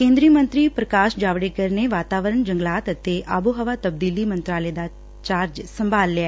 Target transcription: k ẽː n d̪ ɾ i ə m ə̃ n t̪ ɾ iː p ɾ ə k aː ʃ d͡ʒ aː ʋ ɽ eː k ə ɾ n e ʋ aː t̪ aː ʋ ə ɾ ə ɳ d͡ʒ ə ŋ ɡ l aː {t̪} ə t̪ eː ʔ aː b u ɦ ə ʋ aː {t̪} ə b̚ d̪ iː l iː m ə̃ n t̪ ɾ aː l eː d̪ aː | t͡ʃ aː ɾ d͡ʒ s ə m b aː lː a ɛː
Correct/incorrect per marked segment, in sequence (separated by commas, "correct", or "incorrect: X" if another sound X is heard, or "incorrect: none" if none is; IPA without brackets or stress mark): correct, correct